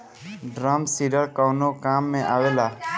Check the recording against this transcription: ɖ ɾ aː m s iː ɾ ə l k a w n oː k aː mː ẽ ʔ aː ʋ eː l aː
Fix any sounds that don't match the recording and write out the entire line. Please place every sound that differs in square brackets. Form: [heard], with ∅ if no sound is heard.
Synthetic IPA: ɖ ɾ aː m s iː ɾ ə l k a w n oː k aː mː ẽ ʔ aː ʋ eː l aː